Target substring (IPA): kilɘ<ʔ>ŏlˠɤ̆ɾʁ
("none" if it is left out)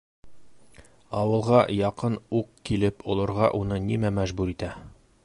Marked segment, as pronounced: p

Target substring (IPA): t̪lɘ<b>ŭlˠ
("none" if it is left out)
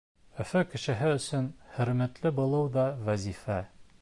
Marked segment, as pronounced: b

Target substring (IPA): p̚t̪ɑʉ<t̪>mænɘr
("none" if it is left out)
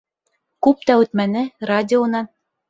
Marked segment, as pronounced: t̪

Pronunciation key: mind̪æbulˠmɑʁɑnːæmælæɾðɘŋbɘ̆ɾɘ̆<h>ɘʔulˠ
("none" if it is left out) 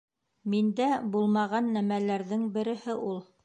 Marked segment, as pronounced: h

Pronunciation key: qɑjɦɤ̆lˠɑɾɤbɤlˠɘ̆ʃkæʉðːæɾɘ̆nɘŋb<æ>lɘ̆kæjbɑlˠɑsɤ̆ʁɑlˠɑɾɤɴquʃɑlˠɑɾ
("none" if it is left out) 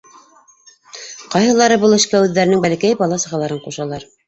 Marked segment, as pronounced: æ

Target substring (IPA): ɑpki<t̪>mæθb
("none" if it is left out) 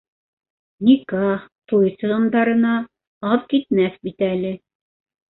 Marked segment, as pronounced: t̪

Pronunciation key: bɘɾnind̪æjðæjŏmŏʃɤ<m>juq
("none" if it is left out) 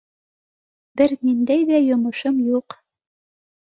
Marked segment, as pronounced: m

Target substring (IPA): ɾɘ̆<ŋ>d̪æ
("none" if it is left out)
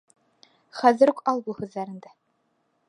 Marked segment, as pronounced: n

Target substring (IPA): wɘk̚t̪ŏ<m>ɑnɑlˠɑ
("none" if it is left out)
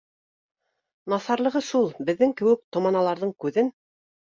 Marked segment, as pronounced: m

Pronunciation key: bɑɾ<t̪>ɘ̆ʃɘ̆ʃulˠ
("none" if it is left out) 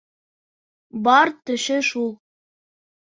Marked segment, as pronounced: t̪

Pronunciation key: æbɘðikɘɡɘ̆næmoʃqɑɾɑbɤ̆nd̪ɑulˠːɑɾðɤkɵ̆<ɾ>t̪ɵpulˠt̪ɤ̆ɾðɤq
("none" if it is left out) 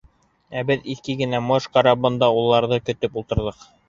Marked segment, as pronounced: none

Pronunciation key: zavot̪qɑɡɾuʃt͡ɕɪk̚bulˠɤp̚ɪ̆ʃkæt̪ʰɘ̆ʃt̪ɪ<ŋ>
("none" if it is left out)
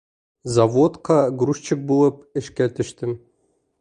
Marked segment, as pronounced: m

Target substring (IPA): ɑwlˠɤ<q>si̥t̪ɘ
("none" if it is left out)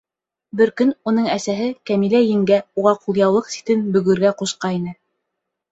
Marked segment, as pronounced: q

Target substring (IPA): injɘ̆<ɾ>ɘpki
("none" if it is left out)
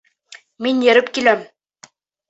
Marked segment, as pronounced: ɾ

